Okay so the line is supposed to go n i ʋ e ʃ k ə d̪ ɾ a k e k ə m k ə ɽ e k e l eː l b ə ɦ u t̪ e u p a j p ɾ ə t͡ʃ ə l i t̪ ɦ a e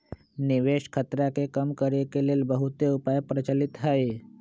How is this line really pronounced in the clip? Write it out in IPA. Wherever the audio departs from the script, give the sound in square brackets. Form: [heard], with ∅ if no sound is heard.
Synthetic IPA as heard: n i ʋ e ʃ [kʰ] ə [t̪] ɾ a k e k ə m k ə [ɾ] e k e l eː l b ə ɦ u t̪ e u p a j p ɾ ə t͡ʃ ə l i t̪ ɦ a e